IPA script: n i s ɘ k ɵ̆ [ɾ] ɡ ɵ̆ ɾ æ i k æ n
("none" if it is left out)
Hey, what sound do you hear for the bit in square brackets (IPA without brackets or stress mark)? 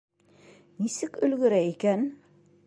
l